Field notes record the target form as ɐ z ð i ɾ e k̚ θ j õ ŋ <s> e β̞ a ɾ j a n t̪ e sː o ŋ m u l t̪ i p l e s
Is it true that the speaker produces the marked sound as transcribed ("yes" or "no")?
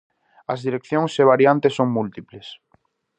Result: yes